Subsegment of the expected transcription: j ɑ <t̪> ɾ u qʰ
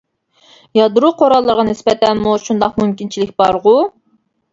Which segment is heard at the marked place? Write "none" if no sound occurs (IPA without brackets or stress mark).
d̪